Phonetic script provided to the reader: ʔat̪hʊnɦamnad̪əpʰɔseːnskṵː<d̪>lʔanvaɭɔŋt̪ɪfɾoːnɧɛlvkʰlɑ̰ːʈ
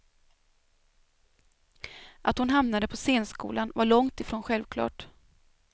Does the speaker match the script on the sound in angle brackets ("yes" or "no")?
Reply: no